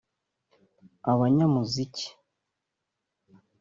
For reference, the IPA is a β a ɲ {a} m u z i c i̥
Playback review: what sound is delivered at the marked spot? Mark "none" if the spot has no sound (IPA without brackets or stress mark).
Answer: a